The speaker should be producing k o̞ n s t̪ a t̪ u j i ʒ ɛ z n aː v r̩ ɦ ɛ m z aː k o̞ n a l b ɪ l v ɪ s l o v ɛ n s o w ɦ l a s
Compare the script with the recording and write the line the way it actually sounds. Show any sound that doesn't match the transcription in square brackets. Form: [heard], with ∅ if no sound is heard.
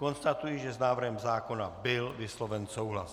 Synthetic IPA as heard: k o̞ n s t̪ a t̪ u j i ʒ ɛ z n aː v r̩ ɦ ɛ m z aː k o̞ n a [∅] b ɪ l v ɪ s l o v ɛ n s o w ɦ l a s